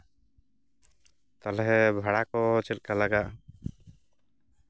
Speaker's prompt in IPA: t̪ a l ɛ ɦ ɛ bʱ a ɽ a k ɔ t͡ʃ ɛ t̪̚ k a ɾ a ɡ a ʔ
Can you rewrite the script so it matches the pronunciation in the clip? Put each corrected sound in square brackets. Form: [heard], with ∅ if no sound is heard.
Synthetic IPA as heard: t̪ a l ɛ ɦ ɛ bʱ a ɽ a k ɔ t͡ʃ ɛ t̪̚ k a [l] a ɡ a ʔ